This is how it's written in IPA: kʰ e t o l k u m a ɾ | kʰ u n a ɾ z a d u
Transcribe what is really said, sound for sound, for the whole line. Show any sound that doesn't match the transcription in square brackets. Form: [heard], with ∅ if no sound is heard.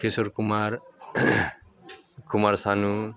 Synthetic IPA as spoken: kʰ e [s] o [ɾ] k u m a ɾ | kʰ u [m] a ɾ [s] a [n] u